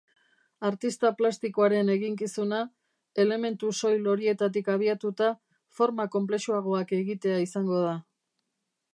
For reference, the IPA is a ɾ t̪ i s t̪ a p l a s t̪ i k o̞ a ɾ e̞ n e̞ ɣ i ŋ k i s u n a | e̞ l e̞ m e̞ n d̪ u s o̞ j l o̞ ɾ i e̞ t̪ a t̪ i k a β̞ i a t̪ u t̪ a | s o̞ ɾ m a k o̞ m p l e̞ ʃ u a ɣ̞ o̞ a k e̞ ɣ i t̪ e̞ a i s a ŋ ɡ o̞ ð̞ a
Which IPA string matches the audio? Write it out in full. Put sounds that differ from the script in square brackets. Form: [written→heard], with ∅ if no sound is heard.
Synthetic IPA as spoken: a ɾ t̪ i s t̪ a p l a s t̪ i k o̞ a ɾ e̞ n e̞ ɣ i ŋ k i s u n a | e̞ l e̞ m e̞ n [d̪→t̪] u s o̞ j l o̞ ɾ i e̞ t̪ a t̪ i k a β̞ i a t̪ u t̪ a | [s→f] o̞ ɾ m a k o̞ m p l e̞ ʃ u a ɣ̞ o̞ a k e̞ ɣ i t̪ e̞ a i s a ŋ ɡ o̞ ð̞ a